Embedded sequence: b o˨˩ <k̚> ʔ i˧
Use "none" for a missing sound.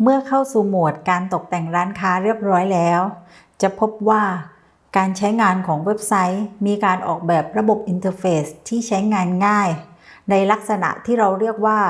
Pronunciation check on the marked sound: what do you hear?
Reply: p̚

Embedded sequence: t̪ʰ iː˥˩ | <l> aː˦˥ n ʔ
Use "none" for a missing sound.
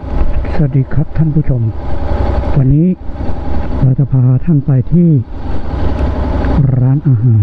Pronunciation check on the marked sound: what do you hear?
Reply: ɾ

